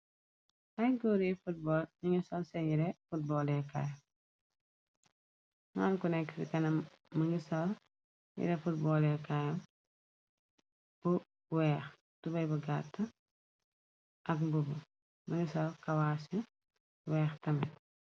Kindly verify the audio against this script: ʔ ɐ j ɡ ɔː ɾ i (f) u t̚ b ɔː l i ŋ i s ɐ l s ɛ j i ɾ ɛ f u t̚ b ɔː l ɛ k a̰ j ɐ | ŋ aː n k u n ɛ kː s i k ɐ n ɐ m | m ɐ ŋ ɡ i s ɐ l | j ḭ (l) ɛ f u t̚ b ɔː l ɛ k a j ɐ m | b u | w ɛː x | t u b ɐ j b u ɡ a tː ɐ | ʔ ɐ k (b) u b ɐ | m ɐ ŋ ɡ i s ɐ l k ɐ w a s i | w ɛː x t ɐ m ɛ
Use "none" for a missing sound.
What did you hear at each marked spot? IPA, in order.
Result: f, ɾ, b

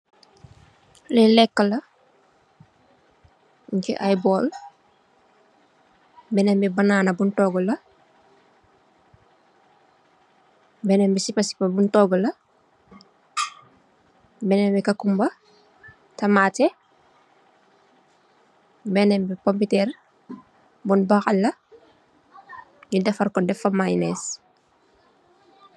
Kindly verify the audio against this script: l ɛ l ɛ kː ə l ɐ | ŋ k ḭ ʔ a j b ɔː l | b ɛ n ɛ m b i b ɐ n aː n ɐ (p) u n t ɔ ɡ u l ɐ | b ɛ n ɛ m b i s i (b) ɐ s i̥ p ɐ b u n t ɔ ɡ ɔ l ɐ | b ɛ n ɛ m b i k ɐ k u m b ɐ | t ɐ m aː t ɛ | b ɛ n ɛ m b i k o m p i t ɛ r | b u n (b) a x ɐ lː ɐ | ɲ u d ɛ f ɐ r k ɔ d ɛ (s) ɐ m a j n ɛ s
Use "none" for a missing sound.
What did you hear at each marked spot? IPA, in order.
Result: b, p, b, f

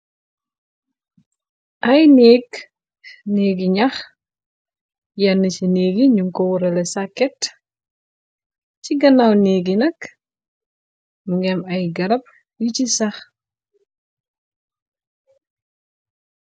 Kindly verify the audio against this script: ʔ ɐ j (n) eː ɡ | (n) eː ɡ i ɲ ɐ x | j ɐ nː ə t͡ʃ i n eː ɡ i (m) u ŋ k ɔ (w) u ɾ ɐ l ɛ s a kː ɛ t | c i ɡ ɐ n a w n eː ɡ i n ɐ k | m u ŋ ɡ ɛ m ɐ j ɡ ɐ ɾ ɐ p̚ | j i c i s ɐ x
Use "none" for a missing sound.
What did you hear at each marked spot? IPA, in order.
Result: n, n, ɲ, w

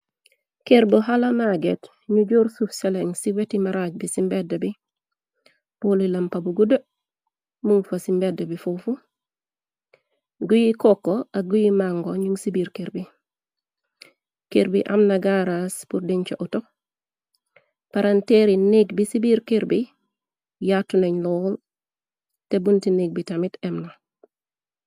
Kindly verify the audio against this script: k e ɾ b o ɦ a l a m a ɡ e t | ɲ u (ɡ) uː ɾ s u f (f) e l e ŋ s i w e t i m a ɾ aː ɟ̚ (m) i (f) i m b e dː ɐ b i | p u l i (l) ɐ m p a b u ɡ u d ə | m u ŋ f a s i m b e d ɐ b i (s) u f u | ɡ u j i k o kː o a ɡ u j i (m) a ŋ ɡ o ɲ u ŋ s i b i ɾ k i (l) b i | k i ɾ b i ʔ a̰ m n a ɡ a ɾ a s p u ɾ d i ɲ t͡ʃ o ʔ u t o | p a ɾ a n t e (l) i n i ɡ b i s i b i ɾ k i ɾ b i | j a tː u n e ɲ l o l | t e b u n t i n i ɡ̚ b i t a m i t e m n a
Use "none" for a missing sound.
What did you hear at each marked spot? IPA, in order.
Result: ɟ, s, b, s, l, f, m, ɾ, ɾ

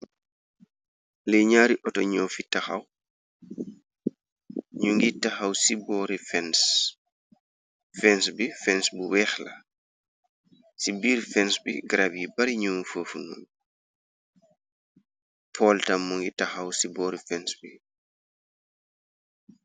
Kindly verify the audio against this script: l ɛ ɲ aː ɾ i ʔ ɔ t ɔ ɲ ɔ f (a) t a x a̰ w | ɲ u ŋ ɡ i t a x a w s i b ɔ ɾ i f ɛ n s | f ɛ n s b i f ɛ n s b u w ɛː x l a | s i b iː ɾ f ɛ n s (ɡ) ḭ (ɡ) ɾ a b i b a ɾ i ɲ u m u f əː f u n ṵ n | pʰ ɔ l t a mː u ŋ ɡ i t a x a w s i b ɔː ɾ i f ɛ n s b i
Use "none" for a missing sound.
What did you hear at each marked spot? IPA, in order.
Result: i, b, ɡ

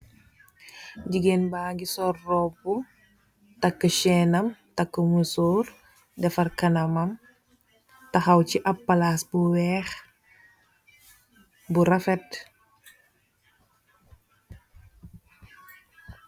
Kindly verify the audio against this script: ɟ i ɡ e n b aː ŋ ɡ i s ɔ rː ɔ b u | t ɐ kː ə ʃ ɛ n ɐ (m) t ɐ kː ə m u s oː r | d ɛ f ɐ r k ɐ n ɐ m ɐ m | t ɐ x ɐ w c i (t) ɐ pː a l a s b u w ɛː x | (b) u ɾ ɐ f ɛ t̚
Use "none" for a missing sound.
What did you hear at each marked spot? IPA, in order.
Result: m, ʔ, b

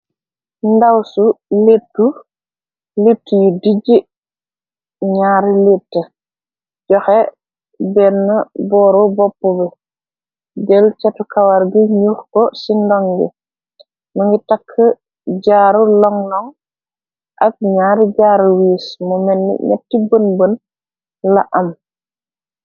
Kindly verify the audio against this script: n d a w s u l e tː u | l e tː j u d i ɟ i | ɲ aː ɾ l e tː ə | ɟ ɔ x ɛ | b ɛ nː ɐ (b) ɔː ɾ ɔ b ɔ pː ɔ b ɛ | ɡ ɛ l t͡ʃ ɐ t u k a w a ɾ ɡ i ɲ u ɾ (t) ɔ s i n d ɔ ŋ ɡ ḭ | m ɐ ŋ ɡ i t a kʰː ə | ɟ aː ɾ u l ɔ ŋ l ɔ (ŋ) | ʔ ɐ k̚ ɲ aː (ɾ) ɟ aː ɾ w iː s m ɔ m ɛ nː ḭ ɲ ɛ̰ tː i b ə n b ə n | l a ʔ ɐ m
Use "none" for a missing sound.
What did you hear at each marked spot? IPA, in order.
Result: b, k, ŋ, ɾ

